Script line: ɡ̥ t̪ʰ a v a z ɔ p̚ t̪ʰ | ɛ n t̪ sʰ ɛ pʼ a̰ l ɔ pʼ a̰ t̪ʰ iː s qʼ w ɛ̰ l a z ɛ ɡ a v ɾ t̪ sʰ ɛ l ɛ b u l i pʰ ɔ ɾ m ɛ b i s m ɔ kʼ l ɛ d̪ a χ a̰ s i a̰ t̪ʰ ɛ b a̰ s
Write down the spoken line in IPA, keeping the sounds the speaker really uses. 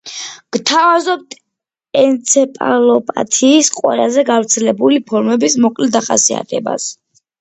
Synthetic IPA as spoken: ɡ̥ t̪ʰ a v a z ɔ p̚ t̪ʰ | ɛ n t̪ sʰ ɛ pʼ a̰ l ɔ pʼ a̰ t̪ʰ iː s qʼ w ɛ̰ l a z ɛ ɡ a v ɾ t̪ sʰ ɛ l ɛ b u l i pʰ ɔ ɾ m ɛ b i s m ɔ kʼ l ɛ d̪ a χ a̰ s i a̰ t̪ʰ ɛ b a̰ s